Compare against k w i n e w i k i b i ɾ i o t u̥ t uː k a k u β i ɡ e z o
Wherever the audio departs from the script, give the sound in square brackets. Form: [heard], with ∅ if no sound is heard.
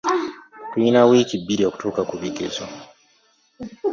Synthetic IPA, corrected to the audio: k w i n [a] w i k i b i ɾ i o [k] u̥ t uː k a k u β i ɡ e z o